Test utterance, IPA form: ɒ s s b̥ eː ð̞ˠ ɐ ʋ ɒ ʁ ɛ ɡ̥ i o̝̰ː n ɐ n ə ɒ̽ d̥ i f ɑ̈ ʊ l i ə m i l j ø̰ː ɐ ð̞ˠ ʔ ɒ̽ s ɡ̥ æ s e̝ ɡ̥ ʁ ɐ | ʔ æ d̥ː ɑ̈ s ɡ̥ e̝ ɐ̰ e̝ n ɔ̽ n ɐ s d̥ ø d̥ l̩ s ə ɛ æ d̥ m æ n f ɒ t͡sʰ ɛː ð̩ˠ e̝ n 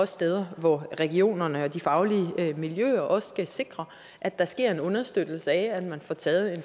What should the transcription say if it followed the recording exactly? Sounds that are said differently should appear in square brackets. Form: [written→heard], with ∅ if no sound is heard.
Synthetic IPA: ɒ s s [b̥→d̥] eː ð̞ˠ ɐ ʋ ɒ ʁ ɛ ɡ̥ i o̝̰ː n ɐ n ə ɒ̽ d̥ i f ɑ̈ ʊ l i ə m i l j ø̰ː ɐ [ð̞ˠ→∅] ʔ ɒ̽ s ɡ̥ æ s e̝ ɡ̥ ʁ ɐ | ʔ æ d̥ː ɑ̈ s ɡ̥ e̝ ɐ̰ e̝ n ɔ̽ n ɐ s d̥ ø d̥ l̩ s ə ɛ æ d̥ m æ n f ɒ t͡sʰ ɛː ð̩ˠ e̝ n